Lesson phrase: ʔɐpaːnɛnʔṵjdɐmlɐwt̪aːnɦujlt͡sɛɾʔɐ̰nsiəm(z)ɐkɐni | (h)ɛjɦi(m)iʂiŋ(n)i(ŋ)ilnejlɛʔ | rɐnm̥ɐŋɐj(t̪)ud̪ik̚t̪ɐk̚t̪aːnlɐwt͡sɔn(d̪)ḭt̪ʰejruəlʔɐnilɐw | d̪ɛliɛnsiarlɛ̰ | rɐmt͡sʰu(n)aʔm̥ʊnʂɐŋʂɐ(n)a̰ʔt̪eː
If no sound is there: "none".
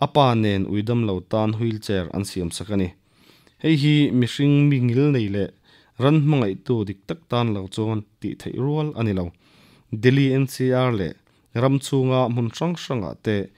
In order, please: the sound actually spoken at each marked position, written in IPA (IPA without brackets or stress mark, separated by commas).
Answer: s, h, m, m, ŋ, t̪, t̪, ŋ, ŋ